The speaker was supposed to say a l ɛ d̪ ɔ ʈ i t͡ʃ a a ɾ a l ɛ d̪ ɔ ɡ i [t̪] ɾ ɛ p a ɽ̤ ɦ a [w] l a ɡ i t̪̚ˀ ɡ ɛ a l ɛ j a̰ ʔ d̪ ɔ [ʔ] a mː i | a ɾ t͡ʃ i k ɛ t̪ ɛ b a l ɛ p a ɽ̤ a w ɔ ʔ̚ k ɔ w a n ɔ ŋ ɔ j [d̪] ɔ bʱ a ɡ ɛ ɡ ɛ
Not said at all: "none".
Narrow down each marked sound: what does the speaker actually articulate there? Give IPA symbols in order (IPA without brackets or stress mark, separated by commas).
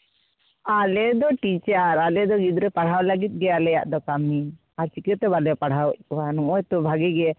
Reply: d̪, w, k, t̪